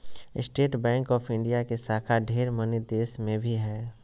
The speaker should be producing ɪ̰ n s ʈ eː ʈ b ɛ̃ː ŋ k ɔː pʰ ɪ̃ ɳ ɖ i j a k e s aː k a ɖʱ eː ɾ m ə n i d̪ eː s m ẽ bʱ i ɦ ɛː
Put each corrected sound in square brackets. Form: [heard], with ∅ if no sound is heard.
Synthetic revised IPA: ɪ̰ [∅] s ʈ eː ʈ b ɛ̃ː ŋ k ɔː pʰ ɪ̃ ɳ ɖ i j a k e s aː [kʰ] a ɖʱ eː ɾ m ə n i d̪ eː s m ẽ bʱ i ɦ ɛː